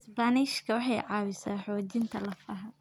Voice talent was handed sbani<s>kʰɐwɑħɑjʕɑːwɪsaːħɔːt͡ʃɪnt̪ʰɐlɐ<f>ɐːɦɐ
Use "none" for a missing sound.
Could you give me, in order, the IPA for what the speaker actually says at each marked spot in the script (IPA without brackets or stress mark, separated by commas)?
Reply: ʃ, f